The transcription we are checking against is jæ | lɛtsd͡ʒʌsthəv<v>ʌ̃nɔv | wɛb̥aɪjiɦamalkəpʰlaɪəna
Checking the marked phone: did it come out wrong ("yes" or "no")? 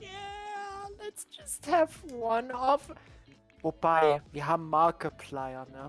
yes